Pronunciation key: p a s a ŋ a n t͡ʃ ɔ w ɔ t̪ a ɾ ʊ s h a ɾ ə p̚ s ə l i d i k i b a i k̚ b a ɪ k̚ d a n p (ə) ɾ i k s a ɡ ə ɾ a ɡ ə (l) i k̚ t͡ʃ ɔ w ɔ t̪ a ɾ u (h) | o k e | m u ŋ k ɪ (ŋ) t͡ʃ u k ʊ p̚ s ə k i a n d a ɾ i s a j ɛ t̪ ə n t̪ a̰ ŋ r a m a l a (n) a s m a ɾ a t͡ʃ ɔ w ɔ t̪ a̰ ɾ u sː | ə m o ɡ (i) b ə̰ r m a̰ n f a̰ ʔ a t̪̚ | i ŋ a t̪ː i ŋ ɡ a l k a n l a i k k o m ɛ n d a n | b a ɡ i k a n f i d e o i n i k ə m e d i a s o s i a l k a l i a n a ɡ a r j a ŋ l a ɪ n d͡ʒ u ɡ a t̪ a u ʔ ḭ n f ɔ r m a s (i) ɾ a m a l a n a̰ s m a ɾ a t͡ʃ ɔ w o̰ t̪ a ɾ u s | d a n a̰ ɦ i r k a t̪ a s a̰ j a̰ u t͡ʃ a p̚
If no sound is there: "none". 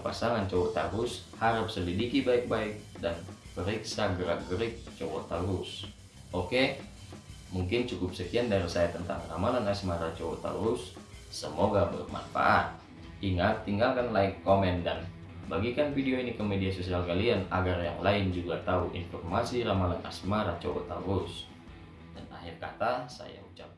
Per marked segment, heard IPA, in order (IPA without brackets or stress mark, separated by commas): ə, ɾ, s, n, n, a, i